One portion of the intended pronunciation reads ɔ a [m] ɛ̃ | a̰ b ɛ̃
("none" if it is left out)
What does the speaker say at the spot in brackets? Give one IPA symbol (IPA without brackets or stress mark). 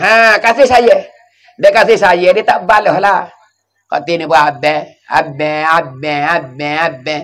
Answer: b